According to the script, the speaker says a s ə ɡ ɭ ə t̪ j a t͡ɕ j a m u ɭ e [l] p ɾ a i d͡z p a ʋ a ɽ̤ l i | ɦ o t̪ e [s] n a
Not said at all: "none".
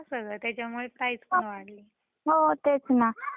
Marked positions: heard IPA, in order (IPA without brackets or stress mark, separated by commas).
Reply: none, t͡s